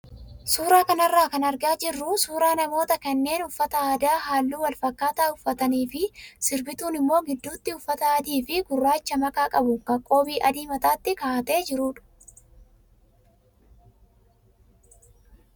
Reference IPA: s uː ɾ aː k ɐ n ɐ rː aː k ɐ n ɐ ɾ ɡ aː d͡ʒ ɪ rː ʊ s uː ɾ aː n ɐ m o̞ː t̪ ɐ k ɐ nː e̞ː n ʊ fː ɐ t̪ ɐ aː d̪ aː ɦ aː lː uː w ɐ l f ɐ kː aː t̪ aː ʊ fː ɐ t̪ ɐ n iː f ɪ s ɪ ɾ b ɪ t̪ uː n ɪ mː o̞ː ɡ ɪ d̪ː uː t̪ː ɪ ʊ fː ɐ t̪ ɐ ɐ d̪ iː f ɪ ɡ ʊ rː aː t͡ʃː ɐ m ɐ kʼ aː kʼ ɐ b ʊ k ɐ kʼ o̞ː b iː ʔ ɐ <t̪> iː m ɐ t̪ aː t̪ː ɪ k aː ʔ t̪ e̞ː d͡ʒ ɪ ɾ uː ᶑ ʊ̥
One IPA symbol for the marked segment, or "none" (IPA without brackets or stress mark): d̪